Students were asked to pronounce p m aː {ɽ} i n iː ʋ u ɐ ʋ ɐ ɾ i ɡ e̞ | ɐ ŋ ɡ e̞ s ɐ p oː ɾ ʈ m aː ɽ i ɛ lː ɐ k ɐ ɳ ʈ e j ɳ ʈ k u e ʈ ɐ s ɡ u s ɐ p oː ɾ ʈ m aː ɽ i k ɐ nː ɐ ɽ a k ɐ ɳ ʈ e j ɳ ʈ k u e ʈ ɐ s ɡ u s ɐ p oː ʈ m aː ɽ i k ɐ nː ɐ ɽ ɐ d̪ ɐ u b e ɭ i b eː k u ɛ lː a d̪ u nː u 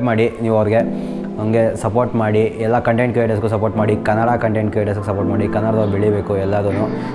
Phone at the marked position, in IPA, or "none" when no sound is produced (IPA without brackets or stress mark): ɽ